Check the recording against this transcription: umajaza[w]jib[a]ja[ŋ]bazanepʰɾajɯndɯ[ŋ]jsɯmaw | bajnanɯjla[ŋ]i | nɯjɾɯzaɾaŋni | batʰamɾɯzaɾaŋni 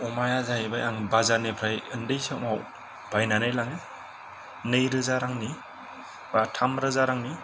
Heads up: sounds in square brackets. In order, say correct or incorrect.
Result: incorrect: none, correct, correct, incorrect: none, correct

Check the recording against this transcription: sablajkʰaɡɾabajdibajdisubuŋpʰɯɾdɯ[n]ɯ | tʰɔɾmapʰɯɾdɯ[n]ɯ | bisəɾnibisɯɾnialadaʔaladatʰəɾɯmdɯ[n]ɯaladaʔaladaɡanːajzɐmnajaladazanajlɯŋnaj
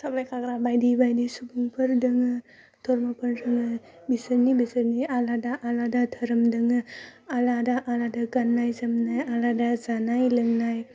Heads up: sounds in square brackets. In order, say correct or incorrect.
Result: incorrect: ŋ, incorrect: ŋ, incorrect: ŋ

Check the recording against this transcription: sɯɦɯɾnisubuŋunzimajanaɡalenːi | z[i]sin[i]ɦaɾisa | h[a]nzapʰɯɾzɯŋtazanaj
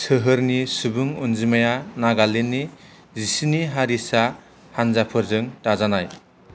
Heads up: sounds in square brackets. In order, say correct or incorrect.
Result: correct, correct, correct

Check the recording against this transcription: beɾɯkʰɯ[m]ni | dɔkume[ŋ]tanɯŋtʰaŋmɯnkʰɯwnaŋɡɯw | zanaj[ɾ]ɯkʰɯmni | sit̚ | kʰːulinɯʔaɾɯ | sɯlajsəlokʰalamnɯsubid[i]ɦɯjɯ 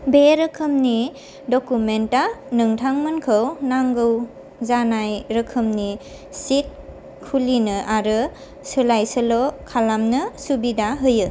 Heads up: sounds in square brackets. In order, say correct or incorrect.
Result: correct, incorrect: n, correct, incorrect: a

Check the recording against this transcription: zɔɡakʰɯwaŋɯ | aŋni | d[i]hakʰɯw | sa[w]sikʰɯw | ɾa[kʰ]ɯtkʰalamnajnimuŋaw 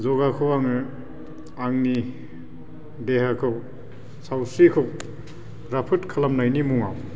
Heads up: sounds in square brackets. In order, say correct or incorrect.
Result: incorrect: e, correct, incorrect: pʰ

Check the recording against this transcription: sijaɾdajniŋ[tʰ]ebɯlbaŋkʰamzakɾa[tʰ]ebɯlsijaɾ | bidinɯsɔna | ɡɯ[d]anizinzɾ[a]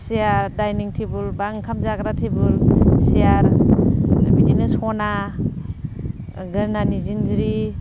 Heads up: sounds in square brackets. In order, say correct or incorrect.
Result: correct, correct, incorrect: n, incorrect: i

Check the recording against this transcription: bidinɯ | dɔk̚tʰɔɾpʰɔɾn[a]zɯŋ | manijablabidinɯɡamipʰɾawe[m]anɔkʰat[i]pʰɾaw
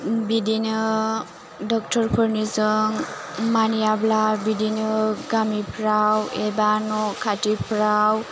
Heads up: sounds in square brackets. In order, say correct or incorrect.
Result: incorrect: i, incorrect: b, correct

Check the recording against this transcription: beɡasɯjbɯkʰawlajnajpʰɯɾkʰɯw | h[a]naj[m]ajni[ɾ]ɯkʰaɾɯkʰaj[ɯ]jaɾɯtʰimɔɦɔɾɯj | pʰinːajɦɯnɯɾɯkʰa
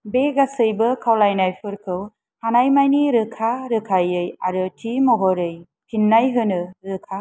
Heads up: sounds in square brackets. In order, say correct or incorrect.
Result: correct, correct, correct, correct

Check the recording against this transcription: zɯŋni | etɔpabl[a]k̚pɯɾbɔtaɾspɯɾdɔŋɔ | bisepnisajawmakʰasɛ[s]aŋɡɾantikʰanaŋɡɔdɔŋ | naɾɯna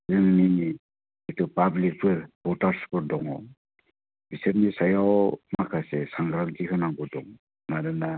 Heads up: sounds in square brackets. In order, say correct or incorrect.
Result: incorrect: i, correct

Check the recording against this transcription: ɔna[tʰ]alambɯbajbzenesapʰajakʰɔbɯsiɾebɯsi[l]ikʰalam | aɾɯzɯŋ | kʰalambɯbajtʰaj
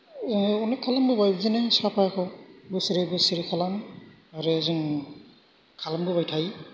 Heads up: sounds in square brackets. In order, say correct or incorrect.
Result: incorrect: kʰ, incorrect: ɾ

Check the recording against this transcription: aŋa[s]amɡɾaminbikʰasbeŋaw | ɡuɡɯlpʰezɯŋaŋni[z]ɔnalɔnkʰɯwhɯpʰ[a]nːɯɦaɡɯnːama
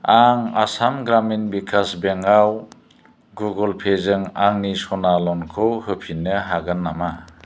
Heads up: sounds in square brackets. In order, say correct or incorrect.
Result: correct, incorrect: s, incorrect: i

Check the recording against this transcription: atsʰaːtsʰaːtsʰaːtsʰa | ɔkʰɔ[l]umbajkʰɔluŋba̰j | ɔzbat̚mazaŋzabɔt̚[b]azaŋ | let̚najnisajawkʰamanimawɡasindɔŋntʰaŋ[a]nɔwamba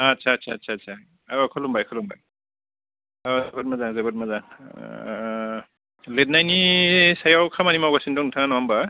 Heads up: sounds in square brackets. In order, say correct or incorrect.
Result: correct, incorrect: m, correct

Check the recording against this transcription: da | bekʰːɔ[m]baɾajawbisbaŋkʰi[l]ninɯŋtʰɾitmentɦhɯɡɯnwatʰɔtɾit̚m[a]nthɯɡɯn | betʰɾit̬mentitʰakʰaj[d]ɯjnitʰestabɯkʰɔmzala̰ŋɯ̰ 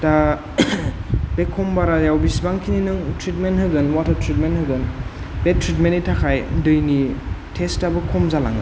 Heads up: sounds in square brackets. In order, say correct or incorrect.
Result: correct, incorrect: none, incorrect: e, correct

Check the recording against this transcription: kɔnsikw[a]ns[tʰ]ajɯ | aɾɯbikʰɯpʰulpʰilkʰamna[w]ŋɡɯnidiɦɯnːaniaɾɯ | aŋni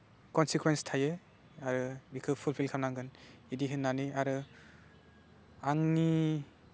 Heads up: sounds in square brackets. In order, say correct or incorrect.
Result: incorrect: e, correct, incorrect: none

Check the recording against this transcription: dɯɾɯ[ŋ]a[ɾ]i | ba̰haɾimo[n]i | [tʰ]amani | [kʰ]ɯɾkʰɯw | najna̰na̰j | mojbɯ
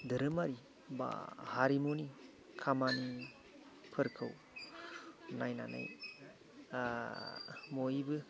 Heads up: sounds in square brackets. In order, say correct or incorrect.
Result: incorrect: m, correct, correct, incorrect: kʰ, incorrect: pʰ

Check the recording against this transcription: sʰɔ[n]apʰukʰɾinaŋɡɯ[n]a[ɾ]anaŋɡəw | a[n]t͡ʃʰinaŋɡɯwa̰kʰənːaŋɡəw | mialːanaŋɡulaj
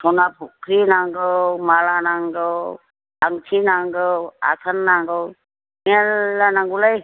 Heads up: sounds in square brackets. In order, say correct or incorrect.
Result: correct, incorrect: m, incorrect: l, incorrect: ŋ

